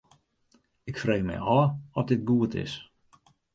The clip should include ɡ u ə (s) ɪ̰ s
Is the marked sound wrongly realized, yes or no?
yes